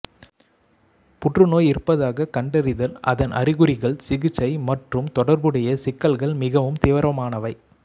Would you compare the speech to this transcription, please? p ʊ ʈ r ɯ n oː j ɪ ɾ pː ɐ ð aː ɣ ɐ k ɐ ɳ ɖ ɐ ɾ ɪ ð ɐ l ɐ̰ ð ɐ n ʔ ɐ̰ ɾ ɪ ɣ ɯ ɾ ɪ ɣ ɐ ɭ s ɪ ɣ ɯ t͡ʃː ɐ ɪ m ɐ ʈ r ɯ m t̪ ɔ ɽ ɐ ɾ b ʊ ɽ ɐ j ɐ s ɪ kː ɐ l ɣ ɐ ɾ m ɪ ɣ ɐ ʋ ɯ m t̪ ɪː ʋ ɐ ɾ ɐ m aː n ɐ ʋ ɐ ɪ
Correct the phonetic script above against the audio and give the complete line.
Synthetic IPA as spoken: p ʊ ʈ r ɯ n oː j ɪ ɾ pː ɐ ð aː ɣ ɐ k ɐ ɳ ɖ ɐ ɾ ɪ ð ɐ l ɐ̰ ð ɐ n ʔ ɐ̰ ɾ ɪ ɣ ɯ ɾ ɪ ɣ ɐ ɭ s ɪ ɣ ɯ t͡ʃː ɐ ɪ m ɐ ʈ r ɯ m t̪ ɔ ɽ ɐ ɾ b ɯ ɽ ɐ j ɐ s ɪ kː ɐ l ɣ ɐ ɭ m ɪ ɣ ɐ ʋ ɯ m t̪ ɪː ʋ ɐ ɾ ɐ m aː n ɐ ʋ ɐ ɪ